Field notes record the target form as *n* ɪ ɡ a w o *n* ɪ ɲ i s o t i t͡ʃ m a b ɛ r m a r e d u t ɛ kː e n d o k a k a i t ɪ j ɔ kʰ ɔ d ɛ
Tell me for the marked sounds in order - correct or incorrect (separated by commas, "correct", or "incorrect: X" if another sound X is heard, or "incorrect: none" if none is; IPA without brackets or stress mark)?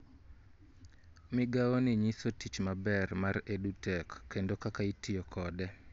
incorrect: m, correct